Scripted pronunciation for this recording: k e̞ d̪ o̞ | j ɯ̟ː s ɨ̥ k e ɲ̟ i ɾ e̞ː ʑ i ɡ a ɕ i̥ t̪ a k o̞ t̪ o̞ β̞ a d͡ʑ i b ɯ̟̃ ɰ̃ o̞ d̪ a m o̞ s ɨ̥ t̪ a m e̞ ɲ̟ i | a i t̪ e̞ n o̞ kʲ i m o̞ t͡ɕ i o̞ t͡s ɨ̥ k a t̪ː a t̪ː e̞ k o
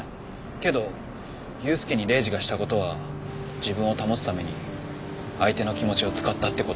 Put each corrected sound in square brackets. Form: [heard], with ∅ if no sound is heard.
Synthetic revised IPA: k e̞ d̪ o̞ | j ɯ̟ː s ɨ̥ k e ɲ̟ i ɾ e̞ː ʑ i ɡ a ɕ i̥ t̪ a k o̞ t̪ o̞ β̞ a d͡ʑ i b ɯ̟̃ ɰ̃ o̞ [t̪] a m o̞ s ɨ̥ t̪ a m e̞ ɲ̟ i | a i t̪ e̞ n o̞ kʲ i m o̞ t͡ɕ i o̞ t͡s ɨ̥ k a t̪ː a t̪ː e̞ k o